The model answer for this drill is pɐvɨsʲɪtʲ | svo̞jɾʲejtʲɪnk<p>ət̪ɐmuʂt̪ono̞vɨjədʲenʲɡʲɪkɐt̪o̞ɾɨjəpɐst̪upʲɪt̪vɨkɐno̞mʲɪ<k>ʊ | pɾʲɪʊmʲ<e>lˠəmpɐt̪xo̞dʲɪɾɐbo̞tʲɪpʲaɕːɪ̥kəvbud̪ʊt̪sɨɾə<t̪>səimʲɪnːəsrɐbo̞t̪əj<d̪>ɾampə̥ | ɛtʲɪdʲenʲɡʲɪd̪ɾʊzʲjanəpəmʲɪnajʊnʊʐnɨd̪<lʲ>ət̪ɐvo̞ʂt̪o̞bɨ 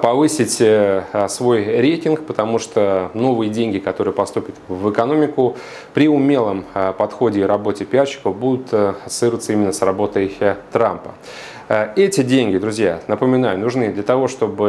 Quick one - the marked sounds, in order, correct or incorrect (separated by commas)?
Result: correct, correct, correct, correct, incorrect, correct